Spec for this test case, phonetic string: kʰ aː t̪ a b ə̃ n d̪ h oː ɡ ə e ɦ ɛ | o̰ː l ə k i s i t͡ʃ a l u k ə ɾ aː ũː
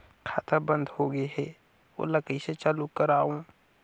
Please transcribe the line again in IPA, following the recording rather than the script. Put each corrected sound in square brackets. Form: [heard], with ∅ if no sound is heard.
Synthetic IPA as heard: kʰ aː t̪ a b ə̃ n d̪ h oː ɡ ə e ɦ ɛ | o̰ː l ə k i s [e] t͡ʃ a l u k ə ɾ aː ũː